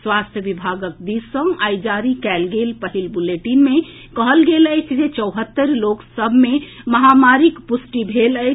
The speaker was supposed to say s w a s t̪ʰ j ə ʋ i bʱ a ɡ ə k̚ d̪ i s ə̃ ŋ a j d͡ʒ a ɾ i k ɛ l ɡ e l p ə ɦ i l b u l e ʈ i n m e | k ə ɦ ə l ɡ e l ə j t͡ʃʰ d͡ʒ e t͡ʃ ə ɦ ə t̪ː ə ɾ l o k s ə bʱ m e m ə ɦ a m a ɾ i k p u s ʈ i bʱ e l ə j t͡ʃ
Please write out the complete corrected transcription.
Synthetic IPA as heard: s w a s t̪ʰ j ə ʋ i bʱ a ɡ ə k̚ d̪ i s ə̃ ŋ a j d͡ʒ a ɾ i k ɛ l ɡ e l p ə ɦ i l b u l e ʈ i n m e | k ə ɦ ə l ɡ e l ə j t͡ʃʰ d͡ʒ e t͡ʃ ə ɦ ə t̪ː ə ɾ l o k s ə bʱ m e m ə ɦ a m a ɾ i k p u s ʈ i bʱ e l ə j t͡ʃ

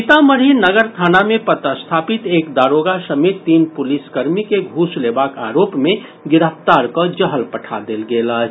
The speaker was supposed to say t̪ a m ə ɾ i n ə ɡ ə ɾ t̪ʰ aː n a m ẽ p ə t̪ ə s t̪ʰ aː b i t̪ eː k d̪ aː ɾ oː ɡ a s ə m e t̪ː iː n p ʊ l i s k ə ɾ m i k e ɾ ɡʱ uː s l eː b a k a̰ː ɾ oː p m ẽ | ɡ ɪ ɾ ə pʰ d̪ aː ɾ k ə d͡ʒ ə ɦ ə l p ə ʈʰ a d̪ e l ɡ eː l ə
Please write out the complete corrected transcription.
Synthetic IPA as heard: t̪ a m ə ɾ i n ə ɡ ə ɾ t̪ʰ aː n a m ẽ p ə t̪ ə s t̪ʰ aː p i t̪ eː k d̪ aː ɾ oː ɡ a s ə m e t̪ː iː n p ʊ l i s k ə ɾ m i k e ɡʱ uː s l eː b a k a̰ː ɾ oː p m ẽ | ɡ ɪ ɾ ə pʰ t̪ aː ɾ k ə d͡ʒ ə ɦ ə l p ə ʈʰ a d̪ e l ɡ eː l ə

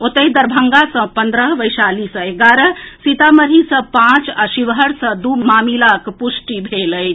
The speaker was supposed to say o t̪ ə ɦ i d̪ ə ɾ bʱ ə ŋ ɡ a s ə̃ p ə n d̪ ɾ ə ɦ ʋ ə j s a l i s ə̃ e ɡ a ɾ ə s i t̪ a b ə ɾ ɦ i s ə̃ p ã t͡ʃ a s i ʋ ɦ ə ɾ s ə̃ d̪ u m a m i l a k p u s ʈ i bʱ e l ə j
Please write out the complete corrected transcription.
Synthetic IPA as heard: o t̪ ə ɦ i d̪ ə ɾ bʱ ə ŋ ɡ a s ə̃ p ə n d̪ ɾ ə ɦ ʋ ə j s a l i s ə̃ e ɡ a ɾ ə s i t̪ a m ə ɾ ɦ i s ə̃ p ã t͡ʃ a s i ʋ ɦ ə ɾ s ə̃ d̪ u m a m i l a k p u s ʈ i bʱ e l ə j

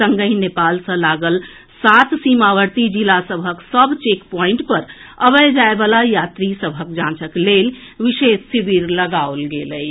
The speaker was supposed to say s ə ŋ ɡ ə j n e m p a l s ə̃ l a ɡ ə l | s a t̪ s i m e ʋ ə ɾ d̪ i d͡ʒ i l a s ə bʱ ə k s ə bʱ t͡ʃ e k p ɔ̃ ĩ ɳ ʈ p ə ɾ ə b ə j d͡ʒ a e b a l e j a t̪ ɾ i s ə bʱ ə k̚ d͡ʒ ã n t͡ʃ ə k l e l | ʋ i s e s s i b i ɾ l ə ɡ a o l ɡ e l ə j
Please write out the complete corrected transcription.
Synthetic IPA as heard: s ə ŋ ɡ ə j n e p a l s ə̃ l a ɡ ə l | s a t̪ s i m a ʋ ə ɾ t̪ i d͡ʒ i l a s ə bʱ ə k s ə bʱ t͡ʃ e k p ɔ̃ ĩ ɳ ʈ p ə ɾ ə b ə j d͡ʒ a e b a l a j a t̪ ɾ i s ə bʱ ə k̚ d͡ʒ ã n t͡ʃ ə k l e l | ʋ i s e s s i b i ɾ l ə ɡ a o l ɡ e l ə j

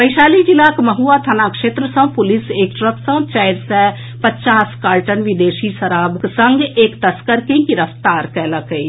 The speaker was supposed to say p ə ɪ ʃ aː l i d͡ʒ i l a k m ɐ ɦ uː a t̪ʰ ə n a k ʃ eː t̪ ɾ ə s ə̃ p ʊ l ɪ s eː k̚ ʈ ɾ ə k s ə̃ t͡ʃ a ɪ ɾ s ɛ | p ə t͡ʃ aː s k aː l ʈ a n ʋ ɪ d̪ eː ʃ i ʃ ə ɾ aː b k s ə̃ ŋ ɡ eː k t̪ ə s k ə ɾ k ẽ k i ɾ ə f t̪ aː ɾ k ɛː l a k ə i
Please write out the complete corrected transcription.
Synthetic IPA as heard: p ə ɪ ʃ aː l i d͡ʒ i l a k m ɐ ɦ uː a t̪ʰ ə n a k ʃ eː t̪ ɾ ə s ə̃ p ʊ l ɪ s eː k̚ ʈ ɾ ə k s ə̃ t͡ʃ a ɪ ɾ s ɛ | p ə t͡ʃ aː s k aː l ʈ ə n ʋ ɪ d̪ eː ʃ i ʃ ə ɾ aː b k s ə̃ ŋ ɡ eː k t̪ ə s k ə ɾ k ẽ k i ɾ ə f t̪ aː ɾ k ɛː l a k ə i

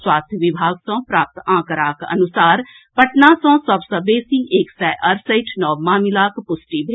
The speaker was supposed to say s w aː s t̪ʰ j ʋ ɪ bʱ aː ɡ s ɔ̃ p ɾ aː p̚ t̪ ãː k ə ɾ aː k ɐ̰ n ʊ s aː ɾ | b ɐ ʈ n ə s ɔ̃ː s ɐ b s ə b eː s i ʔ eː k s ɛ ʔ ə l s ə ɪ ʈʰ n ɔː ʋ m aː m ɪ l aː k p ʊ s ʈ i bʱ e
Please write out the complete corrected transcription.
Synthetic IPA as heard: s w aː s t̪ʰ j ʋ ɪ bʱ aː ɡ s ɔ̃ p ɾ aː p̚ t̪ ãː k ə ɾ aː k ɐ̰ n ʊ s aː ɾ | p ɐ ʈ n a s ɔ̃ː s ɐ b s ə b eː s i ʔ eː k s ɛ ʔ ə ɾ s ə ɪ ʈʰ n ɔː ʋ m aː m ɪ l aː k p ʊ s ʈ i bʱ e

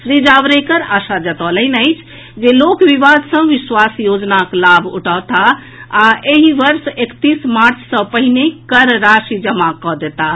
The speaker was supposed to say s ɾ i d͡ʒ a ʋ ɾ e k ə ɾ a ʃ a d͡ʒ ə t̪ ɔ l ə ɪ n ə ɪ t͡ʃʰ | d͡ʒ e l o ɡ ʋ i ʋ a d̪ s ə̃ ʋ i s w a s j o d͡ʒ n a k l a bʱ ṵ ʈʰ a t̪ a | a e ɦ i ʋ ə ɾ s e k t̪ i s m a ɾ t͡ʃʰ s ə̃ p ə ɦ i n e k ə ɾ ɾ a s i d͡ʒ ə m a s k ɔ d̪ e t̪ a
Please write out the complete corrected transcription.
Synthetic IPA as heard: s ɾ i d͡ʒ a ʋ ɾ e k ə ɾ a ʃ a d͡ʒ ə t̪ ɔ l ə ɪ n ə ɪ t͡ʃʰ | d͡ʒ e l o k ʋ i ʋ a d̪ s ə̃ ʋ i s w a s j o d͡ʒ n a k l a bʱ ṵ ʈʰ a t̪ a | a e ɦ i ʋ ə ɾ s e k t̪ i s m a ɾ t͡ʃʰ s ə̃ p ə ɦ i n e k ə ɾ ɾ a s i d͡ʒ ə m a k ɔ d̪ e t̪ a

